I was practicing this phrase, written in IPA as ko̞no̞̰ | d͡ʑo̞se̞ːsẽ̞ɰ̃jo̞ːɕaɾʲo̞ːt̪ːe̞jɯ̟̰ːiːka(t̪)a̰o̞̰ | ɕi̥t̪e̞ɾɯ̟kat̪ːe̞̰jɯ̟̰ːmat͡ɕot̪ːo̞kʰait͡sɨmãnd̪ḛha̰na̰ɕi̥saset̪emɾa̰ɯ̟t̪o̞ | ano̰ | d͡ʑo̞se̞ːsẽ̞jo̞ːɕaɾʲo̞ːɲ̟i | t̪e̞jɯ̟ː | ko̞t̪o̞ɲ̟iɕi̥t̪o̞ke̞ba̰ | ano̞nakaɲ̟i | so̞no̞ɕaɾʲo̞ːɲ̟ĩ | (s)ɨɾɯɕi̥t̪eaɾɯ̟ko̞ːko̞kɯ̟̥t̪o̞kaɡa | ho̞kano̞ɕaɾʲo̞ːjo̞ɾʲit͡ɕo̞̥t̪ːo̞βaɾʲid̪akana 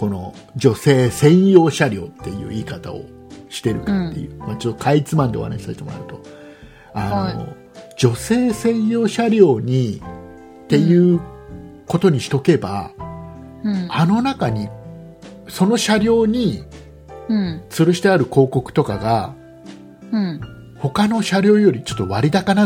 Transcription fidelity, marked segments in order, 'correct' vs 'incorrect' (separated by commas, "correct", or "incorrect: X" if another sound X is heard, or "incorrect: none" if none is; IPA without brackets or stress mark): correct, incorrect: t͡s